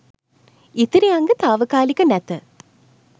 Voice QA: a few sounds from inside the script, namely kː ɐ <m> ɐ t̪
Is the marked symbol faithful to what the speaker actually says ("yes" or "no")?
no